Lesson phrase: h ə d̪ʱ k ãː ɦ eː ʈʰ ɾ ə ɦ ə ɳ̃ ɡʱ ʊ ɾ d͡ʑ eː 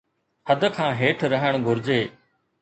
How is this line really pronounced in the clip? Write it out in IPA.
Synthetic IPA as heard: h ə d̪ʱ kʰ ãː ɦ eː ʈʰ ɾ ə ɦ ə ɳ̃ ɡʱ ʊ ɾ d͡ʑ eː